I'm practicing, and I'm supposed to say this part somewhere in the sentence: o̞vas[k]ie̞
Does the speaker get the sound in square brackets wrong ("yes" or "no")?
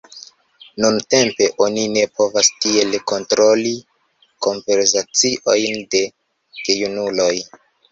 yes